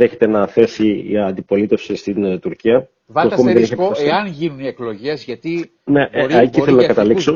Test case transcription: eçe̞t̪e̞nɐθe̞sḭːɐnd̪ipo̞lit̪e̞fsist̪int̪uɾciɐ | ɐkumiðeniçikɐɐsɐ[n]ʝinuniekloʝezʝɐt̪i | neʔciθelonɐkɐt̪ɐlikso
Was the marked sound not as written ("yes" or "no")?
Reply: no